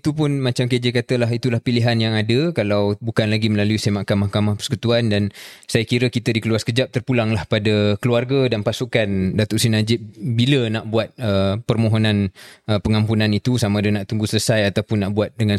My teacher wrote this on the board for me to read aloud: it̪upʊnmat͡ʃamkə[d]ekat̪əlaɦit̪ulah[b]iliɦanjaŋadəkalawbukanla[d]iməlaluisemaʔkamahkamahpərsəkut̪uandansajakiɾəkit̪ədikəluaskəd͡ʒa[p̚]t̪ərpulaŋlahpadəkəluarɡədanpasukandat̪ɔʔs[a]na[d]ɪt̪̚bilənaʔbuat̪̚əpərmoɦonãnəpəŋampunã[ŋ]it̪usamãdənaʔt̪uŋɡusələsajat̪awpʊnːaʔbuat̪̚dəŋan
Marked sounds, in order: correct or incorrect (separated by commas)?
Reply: incorrect, incorrect, incorrect, correct, incorrect, incorrect, incorrect